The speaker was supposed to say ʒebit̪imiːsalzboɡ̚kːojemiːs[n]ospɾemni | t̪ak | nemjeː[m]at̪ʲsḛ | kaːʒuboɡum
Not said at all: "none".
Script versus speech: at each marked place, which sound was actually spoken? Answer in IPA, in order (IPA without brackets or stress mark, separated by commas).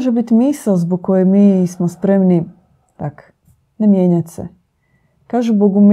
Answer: m, ɲ